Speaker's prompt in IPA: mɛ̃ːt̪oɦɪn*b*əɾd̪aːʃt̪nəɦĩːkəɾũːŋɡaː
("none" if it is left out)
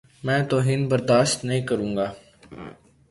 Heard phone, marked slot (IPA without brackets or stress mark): b